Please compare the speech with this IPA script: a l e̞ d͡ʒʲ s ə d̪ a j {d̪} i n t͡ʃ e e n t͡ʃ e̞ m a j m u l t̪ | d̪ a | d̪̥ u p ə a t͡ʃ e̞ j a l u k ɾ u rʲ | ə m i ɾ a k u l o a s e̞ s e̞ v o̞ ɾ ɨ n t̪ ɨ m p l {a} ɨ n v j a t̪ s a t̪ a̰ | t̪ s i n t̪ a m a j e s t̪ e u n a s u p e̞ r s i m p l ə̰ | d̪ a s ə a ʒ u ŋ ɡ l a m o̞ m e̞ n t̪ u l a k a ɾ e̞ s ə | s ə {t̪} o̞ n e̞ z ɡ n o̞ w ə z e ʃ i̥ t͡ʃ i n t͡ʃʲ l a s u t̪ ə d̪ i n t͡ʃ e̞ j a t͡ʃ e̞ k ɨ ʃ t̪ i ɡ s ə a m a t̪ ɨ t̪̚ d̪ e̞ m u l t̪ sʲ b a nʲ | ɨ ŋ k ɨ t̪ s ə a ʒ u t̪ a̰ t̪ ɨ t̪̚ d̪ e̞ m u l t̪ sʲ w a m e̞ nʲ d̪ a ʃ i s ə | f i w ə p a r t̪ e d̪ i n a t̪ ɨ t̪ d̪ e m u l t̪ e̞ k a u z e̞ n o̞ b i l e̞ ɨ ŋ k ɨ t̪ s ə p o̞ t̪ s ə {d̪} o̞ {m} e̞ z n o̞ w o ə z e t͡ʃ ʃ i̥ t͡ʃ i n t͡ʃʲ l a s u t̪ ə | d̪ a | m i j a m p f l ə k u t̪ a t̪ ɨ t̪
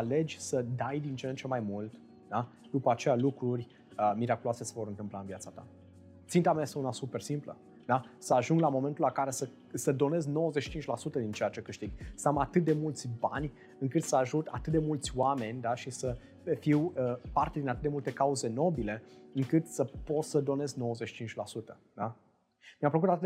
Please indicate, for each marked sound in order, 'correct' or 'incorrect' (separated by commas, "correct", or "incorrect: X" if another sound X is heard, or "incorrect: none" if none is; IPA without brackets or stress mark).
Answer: correct, correct, incorrect: d̪, correct, incorrect: n